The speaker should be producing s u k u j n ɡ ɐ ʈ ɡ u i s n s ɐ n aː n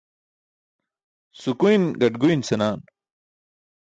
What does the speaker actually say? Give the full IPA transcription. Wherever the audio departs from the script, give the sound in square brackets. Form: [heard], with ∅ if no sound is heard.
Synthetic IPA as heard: s u k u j n ɡ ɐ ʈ ɡ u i [∅] n s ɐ n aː n